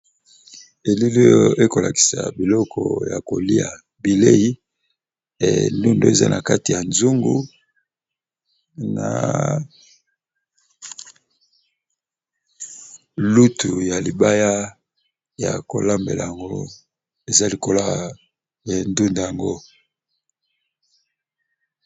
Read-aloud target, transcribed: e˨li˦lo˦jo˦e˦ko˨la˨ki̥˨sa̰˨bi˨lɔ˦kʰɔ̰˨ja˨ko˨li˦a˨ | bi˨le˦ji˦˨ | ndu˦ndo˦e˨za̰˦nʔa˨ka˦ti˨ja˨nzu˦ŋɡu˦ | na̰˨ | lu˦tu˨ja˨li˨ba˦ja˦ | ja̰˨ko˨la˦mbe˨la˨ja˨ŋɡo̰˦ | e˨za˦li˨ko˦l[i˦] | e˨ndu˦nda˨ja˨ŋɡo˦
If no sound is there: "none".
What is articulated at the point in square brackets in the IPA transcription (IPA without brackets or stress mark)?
a˦